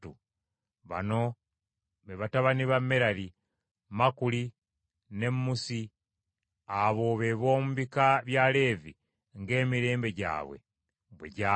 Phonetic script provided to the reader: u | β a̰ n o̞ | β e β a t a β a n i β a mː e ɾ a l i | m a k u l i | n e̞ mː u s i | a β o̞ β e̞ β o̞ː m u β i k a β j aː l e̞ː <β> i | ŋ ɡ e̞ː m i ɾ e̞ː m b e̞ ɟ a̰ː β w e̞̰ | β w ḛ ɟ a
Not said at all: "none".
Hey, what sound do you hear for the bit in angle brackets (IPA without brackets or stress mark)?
v